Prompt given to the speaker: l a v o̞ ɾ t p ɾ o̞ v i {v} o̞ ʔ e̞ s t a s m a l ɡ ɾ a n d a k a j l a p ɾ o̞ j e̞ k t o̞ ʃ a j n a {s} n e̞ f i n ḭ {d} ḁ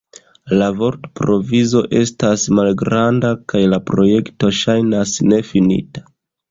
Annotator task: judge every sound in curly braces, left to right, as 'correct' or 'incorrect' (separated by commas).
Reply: incorrect, correct, incorrect